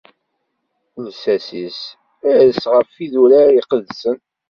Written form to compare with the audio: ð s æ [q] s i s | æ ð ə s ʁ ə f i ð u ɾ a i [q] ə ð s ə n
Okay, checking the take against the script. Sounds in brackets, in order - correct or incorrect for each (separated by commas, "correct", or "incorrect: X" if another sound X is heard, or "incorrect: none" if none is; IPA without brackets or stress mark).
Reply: incorrect: none, correct